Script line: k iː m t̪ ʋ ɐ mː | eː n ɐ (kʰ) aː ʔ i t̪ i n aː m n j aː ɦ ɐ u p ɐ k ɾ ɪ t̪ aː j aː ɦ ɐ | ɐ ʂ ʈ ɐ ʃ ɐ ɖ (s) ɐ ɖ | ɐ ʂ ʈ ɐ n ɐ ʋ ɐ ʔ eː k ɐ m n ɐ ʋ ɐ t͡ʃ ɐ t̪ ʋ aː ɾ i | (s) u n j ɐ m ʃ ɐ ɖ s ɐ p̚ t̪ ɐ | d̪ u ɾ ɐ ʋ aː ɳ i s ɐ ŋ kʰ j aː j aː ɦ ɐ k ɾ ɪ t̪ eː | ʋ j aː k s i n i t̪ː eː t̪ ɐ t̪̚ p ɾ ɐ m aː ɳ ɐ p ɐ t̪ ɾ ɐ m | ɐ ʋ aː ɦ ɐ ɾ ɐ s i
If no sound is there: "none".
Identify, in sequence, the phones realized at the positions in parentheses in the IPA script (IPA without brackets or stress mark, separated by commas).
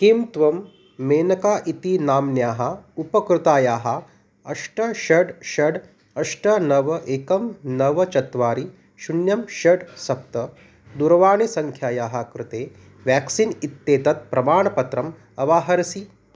k, ʃ, ʃ